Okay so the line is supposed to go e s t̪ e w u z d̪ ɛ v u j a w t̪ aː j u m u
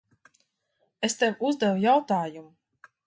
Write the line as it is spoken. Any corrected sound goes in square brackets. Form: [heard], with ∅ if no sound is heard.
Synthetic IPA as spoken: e s t̪ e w u z d̪ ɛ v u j a w t̪ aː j u m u